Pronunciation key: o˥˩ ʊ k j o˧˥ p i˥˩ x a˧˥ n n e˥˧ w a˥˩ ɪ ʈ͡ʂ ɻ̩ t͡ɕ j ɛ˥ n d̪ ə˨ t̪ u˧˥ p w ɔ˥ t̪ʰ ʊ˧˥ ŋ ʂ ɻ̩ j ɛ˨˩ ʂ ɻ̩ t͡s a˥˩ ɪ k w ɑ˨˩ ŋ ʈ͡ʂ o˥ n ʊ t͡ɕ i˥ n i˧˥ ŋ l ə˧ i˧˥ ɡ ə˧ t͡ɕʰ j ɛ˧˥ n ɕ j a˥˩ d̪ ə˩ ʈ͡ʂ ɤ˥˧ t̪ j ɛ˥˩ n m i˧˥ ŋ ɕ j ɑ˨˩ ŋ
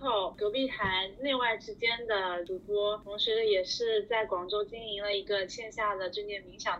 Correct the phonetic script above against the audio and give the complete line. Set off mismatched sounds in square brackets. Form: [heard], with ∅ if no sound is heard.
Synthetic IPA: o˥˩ ʊ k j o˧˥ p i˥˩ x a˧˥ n n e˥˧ w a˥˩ ɪ ʈ͡ʂ ɻ̩ t͡ɕ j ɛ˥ n d̪ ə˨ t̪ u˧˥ p w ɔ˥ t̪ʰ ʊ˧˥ ŋ ʂ ɻ̩ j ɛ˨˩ ʂ ɻ̩ t͡s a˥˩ ɪ k w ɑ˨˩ ŋ ʈ͡ʂ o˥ [∅] ʊ t͡ɕ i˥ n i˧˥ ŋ l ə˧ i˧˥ ɡ ə˧ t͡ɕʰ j [ɛ˥˧] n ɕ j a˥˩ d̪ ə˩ ʈ͡ʂ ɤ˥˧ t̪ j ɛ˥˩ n m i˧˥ ŋ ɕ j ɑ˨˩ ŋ